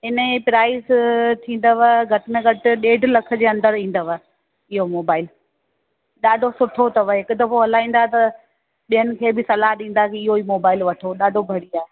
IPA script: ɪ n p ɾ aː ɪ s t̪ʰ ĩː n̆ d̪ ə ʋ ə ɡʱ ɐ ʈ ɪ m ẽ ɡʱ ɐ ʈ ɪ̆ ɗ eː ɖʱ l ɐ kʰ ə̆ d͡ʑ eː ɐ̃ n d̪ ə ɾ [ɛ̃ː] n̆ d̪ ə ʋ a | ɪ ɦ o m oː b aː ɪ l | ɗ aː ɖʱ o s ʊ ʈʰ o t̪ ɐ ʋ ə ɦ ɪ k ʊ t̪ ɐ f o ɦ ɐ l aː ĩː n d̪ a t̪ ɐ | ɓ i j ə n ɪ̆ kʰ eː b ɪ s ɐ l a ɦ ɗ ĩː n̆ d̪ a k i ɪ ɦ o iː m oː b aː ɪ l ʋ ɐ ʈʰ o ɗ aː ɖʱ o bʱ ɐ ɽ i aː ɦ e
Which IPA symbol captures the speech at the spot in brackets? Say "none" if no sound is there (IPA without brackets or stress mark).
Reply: ĩː